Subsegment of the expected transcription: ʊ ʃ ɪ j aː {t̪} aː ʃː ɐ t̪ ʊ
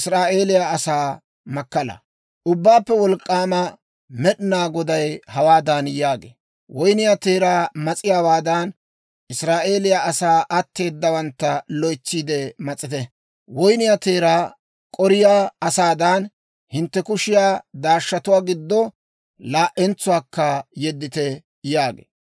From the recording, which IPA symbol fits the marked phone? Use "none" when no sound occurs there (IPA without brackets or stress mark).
d̪